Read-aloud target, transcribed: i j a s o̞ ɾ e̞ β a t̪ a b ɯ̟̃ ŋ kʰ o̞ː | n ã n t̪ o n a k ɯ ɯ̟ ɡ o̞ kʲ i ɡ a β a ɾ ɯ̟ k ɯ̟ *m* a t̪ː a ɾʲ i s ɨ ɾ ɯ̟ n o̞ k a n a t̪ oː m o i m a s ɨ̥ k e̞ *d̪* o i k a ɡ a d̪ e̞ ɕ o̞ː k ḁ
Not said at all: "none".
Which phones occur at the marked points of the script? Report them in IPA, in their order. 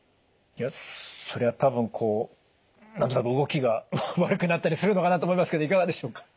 n, d̪

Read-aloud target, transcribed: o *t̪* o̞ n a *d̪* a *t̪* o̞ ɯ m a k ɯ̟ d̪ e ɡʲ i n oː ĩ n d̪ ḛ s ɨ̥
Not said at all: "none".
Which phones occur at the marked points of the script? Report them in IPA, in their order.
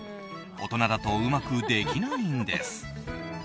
t̪, d̪, t̪

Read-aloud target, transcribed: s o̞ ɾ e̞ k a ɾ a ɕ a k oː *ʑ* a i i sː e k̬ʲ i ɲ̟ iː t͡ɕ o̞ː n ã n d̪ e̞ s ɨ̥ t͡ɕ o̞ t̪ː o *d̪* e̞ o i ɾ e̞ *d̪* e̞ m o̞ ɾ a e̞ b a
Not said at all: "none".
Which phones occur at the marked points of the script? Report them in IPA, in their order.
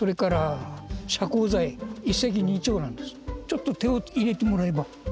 z, t̪, t̪

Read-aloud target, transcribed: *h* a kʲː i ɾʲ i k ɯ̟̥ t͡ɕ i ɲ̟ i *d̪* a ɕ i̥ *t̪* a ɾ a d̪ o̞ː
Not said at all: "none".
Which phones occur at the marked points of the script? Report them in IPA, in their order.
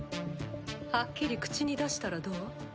h, d̪, t̪

